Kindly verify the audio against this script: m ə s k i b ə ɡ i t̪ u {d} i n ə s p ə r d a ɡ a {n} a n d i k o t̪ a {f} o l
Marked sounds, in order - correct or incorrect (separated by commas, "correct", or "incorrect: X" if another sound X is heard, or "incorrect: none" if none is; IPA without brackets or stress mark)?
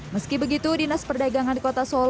correct, incorrect: ŋ, incorrect: s